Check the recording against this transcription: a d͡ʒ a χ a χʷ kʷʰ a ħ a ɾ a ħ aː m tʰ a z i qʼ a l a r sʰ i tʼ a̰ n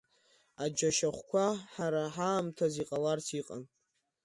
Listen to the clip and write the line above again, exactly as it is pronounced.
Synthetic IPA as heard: a d͡ʒ a ʃ a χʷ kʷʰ a ħ a ɾ a ħ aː m tʰ a z i qʼ a l a r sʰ i qʼ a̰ n